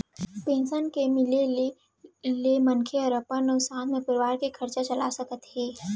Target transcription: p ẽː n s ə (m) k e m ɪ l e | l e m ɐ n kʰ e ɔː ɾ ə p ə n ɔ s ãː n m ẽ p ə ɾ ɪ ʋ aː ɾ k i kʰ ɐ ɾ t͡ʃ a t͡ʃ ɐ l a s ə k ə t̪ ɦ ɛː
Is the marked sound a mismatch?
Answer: yes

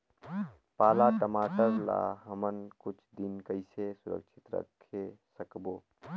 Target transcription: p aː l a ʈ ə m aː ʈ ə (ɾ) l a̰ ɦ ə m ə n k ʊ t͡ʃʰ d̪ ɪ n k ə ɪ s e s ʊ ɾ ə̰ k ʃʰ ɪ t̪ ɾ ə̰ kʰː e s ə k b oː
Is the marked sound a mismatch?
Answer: no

